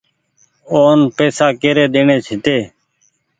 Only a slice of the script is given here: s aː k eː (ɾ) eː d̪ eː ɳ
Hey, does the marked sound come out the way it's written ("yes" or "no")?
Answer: yes